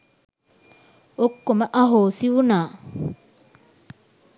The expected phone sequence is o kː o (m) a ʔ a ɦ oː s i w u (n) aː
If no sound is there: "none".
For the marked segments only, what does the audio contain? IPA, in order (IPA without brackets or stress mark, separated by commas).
m, n